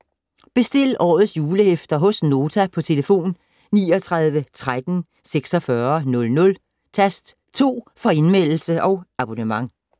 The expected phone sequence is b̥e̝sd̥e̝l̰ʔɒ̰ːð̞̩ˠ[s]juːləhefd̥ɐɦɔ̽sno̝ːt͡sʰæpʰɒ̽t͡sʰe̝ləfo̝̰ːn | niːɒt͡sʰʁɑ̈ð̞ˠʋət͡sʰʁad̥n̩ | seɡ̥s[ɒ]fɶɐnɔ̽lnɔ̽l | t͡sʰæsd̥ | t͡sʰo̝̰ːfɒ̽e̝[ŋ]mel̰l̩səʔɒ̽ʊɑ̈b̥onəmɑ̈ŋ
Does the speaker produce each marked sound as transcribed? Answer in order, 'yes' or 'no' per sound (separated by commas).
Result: yes, yes, no